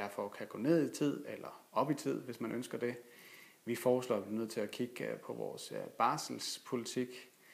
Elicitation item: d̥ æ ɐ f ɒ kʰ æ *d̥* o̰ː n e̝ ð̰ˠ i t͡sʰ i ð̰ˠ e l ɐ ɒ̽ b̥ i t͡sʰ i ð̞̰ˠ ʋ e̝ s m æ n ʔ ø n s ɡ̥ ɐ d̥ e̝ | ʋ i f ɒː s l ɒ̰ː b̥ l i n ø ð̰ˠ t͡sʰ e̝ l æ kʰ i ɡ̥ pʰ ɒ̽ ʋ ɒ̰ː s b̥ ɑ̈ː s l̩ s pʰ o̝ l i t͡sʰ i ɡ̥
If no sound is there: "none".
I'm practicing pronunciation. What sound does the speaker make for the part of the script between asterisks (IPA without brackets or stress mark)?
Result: ɡ̥